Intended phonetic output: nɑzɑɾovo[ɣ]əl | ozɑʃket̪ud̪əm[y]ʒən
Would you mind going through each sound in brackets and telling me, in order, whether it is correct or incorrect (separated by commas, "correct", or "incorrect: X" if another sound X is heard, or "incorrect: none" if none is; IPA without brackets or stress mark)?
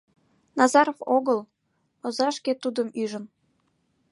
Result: correct, correct